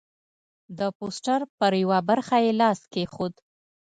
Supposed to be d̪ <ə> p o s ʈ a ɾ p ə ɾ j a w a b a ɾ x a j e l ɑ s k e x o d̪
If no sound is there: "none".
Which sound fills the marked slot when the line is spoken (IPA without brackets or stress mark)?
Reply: ə